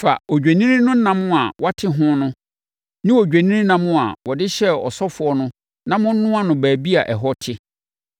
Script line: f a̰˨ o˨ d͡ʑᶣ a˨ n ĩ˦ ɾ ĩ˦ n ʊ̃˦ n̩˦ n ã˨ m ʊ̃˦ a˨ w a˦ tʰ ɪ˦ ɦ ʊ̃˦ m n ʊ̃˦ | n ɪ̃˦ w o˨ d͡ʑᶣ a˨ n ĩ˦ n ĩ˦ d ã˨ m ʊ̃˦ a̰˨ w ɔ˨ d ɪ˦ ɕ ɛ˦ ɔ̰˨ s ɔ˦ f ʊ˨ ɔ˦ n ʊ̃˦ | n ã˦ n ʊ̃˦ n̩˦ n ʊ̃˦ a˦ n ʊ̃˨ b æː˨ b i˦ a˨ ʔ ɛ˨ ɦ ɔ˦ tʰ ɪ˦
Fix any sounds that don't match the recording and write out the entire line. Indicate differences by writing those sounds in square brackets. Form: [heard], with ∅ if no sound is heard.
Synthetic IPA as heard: f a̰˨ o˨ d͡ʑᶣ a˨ n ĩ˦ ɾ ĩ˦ n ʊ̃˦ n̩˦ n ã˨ m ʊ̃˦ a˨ w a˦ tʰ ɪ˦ ɦ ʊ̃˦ [∅] n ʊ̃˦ | n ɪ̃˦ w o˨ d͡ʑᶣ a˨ n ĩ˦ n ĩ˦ [n] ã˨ m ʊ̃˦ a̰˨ w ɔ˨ d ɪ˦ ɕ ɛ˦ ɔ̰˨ s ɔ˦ f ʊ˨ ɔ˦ n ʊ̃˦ | n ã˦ [m] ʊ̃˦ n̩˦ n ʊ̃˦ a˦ n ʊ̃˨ b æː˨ b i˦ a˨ ʔ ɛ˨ ɦ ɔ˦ tʰ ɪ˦